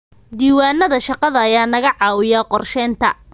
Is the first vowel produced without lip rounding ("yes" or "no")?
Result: yes